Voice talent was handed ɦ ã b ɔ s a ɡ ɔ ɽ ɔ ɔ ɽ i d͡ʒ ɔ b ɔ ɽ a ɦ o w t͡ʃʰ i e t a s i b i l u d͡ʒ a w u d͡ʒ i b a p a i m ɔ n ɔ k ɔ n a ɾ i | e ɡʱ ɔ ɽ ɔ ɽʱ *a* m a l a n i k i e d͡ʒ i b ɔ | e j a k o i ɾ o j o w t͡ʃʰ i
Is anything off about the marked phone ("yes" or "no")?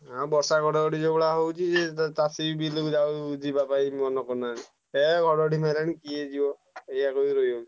yes